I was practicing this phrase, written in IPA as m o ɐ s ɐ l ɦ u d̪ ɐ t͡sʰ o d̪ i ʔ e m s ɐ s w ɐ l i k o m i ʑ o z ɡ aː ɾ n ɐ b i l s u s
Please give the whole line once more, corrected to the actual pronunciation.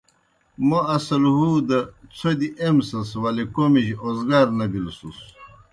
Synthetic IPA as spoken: m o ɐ s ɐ l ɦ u d̪ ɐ t͡sʰ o d̪ i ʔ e m s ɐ s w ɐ l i k o m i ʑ o z ɡ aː ɾ n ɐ b i l s u s

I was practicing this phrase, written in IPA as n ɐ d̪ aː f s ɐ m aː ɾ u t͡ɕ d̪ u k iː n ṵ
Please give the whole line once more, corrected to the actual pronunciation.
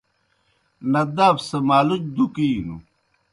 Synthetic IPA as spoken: n ɐ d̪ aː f s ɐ m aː l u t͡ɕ d̪ u k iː n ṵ

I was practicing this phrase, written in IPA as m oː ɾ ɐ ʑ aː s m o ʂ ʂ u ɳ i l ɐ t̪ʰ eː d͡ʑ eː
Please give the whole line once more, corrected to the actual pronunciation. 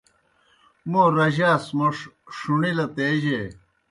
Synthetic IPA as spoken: m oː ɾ ɐ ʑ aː s m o ʂ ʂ u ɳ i l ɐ t̪ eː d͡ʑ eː

